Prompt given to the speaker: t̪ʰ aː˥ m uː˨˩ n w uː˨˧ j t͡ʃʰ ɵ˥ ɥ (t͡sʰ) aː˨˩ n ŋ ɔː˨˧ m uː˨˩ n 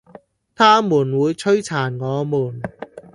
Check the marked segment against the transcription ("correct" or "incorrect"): correct